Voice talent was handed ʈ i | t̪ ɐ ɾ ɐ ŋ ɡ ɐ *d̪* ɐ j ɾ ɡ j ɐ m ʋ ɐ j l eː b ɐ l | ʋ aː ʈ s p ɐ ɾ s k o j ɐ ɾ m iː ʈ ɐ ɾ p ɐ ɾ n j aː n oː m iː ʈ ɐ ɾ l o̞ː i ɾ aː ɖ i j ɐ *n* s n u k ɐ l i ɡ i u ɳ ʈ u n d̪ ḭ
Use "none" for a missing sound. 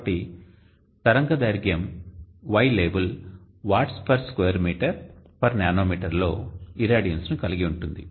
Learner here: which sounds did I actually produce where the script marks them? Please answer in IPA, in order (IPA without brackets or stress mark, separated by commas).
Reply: d̪, n